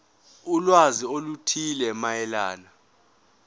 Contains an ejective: no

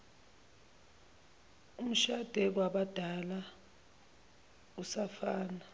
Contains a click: no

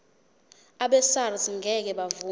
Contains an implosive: yes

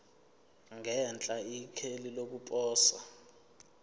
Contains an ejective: yes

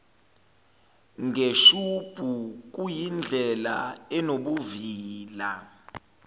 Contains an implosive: yes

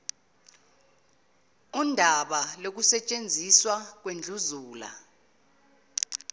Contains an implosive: yes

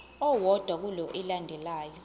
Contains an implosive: no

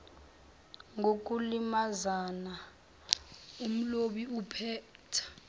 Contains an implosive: yes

